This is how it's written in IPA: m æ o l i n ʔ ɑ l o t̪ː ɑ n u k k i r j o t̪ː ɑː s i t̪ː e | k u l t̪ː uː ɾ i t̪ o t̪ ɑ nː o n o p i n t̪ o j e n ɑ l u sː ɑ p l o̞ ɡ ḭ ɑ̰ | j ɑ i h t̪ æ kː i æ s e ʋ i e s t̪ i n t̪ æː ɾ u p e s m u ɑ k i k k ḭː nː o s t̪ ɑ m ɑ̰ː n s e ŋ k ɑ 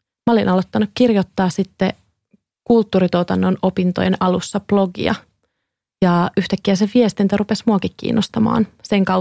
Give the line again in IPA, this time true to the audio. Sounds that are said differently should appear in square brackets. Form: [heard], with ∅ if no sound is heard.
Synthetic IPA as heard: m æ o l i n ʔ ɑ l o t̪ː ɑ n u k k i r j o t̪ː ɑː s i t̪ː e | k u l t̪ː uː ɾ i t̪ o t̪ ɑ nː o n o p i n t̪ o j e n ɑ l u sː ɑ p l o̞ ɡ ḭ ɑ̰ | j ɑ [y] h t̪ æ kː i æ s e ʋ i e s t̪ i n t̪ [æ] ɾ u p e s m u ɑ k i k k ḭː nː o s t̪ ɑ m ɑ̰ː n s e ŋ k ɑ